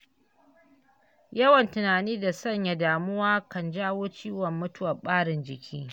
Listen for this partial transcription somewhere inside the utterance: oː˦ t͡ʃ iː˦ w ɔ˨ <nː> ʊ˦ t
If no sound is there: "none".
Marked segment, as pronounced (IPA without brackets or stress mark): mː